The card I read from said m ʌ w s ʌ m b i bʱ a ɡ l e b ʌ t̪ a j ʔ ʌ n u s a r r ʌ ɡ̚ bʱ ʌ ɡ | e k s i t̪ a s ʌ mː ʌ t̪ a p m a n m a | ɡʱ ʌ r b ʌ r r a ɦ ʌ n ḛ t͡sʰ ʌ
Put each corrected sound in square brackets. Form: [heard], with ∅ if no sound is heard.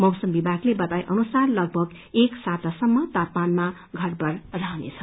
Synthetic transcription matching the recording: m ʌ w s ʌ m b i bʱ a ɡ l e b ʌ t̪ a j ʔ ʌ n u s a r [l] ʌ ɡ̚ bʱ ʌ ɡ | e k s [a] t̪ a s ʌ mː ʌ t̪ a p m a n m a | ɡʱ ʌ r b ʌ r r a ɦ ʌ n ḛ t͡sʰ ʌ